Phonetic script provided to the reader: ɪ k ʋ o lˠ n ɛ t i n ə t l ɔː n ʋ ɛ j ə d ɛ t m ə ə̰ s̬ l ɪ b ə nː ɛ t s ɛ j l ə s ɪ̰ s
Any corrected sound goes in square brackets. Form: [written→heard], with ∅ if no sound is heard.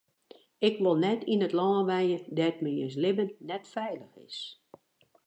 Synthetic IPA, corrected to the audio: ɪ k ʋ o lˠ n ɛ t i n ə t l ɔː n ʋ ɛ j ə d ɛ t m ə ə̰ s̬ l ɪ b ə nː ɛ t [s→f] ɛ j l ə [s→x] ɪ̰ s